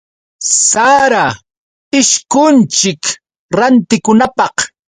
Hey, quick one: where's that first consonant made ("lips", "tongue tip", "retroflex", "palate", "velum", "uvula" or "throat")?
tongue tip